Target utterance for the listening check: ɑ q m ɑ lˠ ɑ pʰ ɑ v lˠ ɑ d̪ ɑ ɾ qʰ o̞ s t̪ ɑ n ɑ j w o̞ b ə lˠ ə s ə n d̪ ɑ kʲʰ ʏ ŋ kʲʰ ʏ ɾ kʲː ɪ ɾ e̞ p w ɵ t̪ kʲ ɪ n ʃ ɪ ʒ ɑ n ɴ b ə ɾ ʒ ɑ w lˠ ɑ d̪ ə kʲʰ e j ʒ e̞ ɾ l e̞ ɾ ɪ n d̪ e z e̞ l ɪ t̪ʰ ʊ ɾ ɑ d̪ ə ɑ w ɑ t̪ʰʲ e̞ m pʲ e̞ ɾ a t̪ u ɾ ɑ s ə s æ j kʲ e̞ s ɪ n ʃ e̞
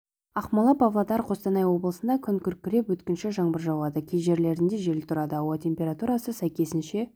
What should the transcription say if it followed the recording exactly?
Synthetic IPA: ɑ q m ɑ lˠ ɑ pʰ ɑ v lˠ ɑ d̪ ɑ ɾ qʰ o̞ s t̪ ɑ n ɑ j w o̞ b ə lˠ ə s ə n d̪ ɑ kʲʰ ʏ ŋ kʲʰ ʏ ɾ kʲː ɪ ɾ e̞ p w ɵ t̪ kʲ ɪ n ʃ ɪ ʒ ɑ ɴ b ə ɾ ʒ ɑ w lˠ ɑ d̪ ə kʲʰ e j ʒ e̞ ɾ l e̞ ɾ ɪ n d̪ e ʒ e̞ l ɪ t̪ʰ ʊ ɾ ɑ d̪ ə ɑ w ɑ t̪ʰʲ e̞ m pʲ e̞ ɾ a t̪ u ɾ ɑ s ə s æ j kʲ e̞ s ɪ n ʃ e̞